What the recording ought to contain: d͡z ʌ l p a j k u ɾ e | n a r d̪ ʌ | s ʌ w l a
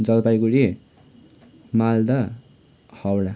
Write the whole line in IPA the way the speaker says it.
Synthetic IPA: d͡z ʌ l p a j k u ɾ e | m a l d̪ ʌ | h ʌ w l a